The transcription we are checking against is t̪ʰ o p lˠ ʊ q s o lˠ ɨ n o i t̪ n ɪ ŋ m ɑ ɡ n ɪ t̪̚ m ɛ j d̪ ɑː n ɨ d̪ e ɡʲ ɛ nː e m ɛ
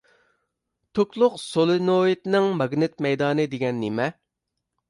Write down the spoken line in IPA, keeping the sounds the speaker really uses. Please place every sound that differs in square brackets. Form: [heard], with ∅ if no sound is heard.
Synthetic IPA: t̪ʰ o [k] lˠ ʊ q s o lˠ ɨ n o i t̪ n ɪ ŋ m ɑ ɡ n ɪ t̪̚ m ɛ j d̪ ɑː n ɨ d̪ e ɡʲ ɛ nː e m ɛ